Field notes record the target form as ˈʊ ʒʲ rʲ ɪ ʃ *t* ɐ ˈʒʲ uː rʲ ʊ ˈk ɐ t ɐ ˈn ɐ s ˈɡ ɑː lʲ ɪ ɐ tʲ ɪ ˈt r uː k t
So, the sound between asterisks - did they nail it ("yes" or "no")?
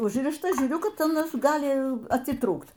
yes